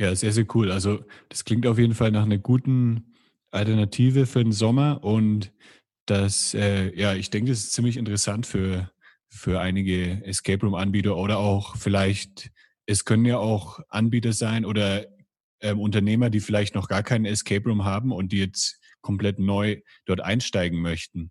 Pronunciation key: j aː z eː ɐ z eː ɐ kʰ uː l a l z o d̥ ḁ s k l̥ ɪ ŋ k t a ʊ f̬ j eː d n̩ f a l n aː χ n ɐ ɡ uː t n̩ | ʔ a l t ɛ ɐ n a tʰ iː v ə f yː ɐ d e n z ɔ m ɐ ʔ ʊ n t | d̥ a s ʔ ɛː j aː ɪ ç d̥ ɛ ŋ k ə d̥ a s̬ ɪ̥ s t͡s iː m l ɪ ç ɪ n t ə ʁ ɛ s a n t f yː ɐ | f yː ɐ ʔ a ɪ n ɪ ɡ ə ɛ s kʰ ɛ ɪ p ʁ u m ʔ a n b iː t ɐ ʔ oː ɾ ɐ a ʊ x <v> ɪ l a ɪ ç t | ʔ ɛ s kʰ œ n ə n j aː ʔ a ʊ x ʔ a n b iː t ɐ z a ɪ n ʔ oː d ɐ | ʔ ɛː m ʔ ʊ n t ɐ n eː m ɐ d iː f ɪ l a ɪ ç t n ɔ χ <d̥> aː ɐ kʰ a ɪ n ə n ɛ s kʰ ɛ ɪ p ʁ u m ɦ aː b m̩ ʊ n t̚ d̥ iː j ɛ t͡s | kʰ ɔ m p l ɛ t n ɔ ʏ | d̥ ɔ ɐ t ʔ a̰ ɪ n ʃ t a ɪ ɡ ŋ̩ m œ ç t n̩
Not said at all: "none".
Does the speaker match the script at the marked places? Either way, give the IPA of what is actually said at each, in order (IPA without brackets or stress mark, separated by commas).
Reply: f, ɡ̥